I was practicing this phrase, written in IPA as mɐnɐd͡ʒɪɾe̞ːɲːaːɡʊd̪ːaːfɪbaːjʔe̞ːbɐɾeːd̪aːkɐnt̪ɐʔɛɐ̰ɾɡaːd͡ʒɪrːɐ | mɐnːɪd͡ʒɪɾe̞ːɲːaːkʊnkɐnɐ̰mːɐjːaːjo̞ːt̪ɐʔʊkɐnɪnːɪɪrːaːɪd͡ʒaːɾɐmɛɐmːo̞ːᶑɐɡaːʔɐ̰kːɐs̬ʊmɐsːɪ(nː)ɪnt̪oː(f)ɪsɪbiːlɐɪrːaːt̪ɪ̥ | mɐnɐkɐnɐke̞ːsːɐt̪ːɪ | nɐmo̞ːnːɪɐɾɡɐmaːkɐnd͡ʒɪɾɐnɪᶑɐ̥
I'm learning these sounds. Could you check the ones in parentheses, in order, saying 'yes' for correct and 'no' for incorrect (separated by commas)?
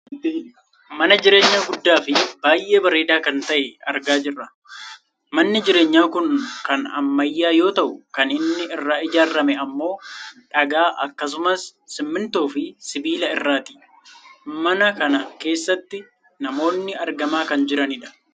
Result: no, yes